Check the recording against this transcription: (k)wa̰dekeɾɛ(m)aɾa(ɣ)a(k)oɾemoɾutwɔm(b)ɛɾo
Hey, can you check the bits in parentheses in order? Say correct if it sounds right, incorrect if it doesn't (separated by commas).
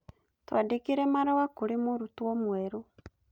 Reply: incorrect, correct, incorrect, correct, incorrect